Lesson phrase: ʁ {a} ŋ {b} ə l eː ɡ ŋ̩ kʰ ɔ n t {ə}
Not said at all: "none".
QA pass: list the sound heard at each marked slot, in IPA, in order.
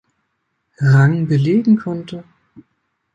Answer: a, b, ə

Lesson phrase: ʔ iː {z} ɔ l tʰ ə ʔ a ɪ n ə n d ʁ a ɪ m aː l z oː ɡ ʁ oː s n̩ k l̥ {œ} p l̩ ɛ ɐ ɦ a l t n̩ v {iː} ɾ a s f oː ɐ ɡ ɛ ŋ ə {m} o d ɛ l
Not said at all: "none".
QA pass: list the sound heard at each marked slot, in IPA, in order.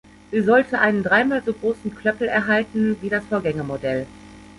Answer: z, œ, iː, m

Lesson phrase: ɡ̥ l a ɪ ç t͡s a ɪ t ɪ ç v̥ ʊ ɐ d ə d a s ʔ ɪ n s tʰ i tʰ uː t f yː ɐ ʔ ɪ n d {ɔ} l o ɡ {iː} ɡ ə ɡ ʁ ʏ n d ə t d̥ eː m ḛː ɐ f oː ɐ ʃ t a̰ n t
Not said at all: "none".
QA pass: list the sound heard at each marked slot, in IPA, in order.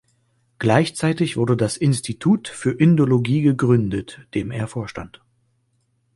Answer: o, iː

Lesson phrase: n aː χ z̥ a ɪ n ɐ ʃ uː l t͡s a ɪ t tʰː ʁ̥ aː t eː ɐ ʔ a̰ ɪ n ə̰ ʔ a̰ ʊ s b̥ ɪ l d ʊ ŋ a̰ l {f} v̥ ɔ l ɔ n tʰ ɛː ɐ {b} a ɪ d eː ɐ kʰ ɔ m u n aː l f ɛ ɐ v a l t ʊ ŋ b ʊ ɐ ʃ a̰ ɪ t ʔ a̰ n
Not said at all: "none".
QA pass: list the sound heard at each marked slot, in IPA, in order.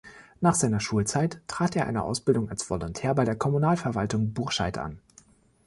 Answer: s, b

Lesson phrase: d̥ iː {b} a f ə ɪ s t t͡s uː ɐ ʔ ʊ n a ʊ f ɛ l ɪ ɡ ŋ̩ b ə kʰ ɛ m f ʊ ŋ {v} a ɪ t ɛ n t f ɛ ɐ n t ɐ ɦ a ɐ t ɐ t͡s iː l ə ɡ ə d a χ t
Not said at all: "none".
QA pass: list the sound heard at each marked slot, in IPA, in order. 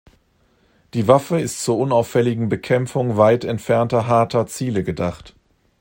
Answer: v, v

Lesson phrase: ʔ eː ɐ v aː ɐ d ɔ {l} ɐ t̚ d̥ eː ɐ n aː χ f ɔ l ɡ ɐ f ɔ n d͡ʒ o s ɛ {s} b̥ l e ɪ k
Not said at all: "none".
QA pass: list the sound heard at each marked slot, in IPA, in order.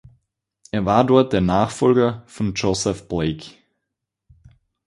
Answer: none, f

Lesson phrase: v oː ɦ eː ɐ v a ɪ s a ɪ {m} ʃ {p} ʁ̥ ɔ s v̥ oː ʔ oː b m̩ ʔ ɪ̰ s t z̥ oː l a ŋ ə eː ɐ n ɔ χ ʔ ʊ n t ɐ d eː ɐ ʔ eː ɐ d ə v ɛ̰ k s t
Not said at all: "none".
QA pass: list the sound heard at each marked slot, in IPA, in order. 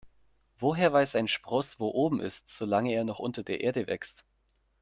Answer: n, p

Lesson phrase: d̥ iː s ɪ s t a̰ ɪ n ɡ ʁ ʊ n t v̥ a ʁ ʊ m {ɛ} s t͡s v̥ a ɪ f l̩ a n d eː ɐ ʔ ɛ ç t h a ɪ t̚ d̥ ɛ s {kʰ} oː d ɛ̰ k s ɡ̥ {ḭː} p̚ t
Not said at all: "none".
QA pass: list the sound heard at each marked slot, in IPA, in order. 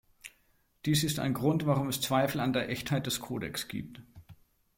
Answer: ɛ, kʰ, ḭː

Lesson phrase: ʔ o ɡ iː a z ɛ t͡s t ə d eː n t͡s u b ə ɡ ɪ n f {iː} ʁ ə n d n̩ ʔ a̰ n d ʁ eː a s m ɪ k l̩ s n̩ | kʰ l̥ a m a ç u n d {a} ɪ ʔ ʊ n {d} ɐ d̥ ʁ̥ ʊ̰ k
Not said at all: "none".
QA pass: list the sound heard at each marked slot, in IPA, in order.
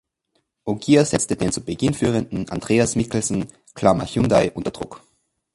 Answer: yː, a, t

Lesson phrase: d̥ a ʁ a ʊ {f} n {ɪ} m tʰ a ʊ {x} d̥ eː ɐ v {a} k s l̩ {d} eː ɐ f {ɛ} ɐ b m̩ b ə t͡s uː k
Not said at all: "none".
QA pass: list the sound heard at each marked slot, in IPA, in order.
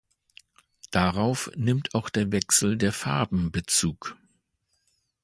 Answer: f, ɪ, x, ɛ, d, a

